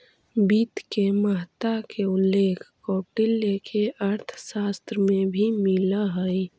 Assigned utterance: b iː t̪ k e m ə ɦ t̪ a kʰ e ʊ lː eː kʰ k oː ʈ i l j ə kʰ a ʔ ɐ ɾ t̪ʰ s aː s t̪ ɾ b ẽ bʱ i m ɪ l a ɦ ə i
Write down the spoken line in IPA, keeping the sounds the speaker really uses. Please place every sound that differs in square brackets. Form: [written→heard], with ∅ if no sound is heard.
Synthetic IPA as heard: b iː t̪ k e m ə ɦ t̪ a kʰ e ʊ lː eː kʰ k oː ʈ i l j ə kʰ [a→e] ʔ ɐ ɾ t̪ʰ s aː s t̪ ɾ [b→m] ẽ bʱ i m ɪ l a ɦ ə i